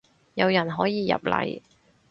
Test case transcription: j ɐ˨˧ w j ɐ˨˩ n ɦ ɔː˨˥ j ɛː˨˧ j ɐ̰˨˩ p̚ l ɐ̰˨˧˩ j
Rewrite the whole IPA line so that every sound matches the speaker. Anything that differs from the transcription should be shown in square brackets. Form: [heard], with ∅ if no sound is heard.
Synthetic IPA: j ɐ˨˧ w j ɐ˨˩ n ɦ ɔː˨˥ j [iː˨˧] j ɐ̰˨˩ p̚ l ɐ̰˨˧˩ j